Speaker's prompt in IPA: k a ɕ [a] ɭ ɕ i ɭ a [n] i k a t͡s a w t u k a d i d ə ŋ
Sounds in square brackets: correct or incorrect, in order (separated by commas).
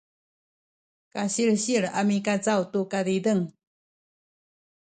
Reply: incorrect, incorrect